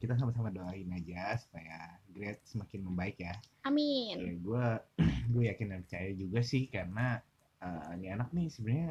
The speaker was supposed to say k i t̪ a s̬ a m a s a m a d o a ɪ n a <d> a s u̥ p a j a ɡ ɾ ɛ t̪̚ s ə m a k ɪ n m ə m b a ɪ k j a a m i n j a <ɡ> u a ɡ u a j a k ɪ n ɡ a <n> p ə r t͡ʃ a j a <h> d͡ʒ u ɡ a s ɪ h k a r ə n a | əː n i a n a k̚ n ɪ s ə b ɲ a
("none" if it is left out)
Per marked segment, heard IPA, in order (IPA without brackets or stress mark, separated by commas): d͡ʒ, ɡ, n, none